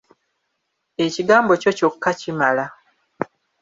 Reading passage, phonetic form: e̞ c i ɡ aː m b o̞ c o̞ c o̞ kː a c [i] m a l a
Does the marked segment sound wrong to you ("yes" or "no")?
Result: no